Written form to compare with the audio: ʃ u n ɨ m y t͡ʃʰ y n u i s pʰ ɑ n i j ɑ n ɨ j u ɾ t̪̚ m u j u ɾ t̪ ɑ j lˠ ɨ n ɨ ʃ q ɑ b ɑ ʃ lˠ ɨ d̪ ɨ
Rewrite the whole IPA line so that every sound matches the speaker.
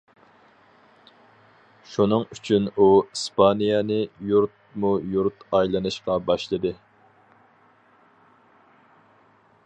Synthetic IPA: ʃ u n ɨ ŋ y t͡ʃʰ y n u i s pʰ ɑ n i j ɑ n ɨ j u ɾ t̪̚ m u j u ɾ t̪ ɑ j lˠ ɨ n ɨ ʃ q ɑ b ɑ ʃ lˠ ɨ d̪ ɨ